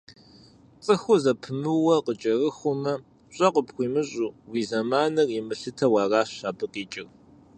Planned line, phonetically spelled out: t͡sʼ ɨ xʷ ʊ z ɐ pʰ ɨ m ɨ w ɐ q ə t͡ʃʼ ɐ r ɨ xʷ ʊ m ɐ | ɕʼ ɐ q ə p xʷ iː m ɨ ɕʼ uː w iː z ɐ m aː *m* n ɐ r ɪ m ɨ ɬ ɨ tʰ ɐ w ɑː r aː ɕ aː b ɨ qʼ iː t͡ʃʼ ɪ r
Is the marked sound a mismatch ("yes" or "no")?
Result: yes